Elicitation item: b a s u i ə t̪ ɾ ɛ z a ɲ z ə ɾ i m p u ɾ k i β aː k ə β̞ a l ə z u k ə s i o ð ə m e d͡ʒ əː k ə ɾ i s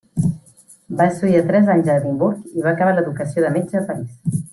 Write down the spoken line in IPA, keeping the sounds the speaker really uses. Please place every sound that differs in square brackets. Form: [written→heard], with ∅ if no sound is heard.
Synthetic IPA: b a s u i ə t̪ ɾ ɛ z a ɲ z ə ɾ i m [p→b] u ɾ k i β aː k ə β̞ a l ə [z→ð] u k ə s i o ð ə m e d͡ʒ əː [k→p] ə ɾ i s